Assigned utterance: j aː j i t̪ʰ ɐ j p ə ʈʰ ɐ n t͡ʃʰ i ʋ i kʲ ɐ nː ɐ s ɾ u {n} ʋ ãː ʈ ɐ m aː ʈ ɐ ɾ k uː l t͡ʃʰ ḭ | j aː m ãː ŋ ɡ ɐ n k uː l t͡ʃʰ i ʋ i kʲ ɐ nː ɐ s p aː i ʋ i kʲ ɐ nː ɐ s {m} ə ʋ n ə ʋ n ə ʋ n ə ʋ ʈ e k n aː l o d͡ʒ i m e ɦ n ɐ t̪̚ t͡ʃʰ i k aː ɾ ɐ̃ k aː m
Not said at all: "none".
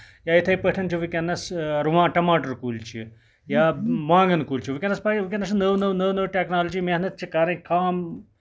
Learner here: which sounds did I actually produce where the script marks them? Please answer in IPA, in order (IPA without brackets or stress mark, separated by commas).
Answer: none, n